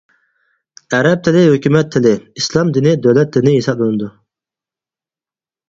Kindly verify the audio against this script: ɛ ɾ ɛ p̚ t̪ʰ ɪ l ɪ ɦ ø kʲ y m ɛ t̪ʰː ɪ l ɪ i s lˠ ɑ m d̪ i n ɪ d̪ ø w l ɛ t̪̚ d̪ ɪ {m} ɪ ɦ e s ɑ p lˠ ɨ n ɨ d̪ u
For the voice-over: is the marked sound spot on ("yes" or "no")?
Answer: no